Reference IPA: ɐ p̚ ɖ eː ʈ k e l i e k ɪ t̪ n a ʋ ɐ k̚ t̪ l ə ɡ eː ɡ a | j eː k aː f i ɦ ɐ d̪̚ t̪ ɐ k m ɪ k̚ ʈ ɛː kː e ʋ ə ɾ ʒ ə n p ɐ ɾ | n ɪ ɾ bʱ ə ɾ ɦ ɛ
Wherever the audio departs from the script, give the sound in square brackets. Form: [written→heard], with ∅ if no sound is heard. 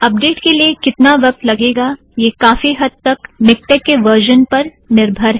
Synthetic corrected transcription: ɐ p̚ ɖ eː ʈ k e l i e k ɪ t̪ n a ʋ ɐ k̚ t̪ l [ə→ɐ] ɡ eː ɡ a | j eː k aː f i ɦ ɐ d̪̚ t̪ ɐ k m ɪ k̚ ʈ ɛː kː e ʋ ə ɾ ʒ ə n p ɐ ɾ | n ɪ ɾ bʱ ə ɾ ɦ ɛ